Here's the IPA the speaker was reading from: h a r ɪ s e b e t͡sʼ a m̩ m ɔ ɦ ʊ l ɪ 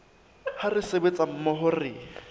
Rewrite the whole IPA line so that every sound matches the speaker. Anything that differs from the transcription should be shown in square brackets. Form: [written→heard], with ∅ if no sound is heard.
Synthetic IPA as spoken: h a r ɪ s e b e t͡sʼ a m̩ m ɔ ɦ ʊ [l→r] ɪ